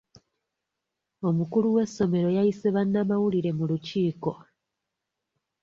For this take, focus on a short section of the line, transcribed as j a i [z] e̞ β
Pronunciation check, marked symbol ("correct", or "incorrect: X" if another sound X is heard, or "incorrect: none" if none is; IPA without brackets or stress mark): incorrect: s